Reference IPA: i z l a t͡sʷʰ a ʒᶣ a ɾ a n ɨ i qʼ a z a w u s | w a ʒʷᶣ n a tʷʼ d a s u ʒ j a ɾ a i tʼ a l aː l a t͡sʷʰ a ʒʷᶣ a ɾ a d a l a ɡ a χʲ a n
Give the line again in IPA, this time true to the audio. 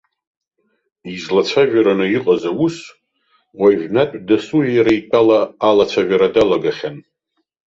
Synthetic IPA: i z l a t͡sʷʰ a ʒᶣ a ɾ a n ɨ i qʼ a z a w u s | w a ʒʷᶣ n a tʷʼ d a s u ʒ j a ɾ a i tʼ a l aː l a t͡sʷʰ a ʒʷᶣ a ɾ a d a l a ɡ a χʲ a n